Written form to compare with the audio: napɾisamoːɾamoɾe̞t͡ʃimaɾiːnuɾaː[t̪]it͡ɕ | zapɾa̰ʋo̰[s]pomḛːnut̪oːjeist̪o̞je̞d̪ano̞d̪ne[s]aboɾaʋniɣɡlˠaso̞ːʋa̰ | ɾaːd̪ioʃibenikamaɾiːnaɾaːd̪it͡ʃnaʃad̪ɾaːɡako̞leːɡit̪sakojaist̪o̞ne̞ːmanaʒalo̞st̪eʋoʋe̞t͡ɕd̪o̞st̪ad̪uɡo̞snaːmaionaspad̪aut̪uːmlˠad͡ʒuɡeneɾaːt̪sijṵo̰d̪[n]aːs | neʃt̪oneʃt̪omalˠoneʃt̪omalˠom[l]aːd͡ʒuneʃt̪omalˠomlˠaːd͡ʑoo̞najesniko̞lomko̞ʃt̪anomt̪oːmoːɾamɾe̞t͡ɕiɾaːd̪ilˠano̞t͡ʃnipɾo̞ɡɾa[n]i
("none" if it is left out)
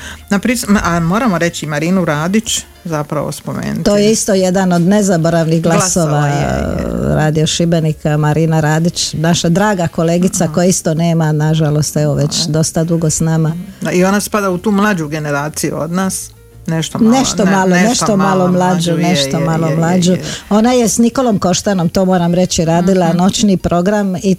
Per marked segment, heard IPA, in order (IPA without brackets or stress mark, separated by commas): d̪, s, z, n, l, m